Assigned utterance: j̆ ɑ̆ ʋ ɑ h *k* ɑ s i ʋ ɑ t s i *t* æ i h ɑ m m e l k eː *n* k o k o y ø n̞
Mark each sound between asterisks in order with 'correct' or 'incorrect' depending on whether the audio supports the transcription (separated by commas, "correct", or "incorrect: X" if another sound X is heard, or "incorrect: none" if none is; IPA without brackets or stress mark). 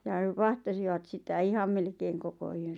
incorrect: t, correct, incorrect: ŋ